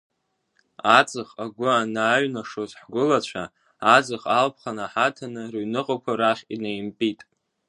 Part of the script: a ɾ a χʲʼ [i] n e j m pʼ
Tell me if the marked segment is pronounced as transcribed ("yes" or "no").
yes